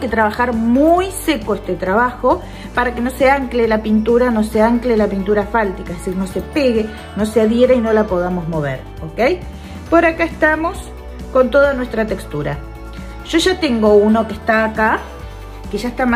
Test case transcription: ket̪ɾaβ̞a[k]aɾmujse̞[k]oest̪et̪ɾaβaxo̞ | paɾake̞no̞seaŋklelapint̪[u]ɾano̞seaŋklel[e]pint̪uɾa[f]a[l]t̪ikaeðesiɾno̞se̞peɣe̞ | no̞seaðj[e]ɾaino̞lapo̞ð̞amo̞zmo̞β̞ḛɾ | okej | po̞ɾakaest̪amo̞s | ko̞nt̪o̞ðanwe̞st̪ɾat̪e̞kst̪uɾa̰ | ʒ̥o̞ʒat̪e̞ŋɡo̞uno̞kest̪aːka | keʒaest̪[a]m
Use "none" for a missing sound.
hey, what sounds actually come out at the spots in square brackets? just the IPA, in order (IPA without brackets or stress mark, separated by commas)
x, k, u, a, f, l, e, a